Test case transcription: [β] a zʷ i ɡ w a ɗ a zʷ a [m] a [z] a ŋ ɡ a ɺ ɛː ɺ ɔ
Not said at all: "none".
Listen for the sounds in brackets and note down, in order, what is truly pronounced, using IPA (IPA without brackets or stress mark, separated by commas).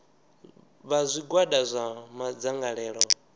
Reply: β, m, d͡z